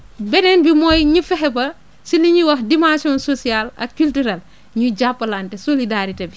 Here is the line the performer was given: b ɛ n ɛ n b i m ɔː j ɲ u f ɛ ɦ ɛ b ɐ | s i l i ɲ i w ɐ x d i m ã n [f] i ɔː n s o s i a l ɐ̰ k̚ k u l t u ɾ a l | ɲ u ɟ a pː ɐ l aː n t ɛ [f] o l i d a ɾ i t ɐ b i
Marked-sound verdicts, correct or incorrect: incorrect: s, incorrect: s

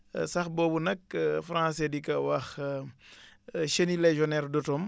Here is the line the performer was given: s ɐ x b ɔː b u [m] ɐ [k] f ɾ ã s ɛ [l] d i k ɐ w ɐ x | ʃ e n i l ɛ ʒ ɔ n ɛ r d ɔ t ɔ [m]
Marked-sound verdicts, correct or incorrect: incorrect: n, correct, incorrect: none, correct

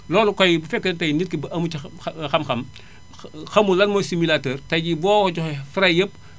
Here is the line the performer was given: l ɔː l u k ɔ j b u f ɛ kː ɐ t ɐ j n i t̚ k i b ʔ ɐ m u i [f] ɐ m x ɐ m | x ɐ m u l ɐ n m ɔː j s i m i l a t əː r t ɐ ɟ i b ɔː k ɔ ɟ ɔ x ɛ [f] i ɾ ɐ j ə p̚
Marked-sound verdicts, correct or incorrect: incorrect: x, correct

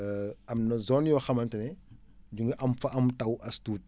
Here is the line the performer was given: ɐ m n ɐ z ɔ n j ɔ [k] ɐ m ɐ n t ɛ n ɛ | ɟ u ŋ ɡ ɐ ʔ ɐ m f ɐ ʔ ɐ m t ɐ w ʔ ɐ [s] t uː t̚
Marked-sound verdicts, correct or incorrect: incorrect: x, correct

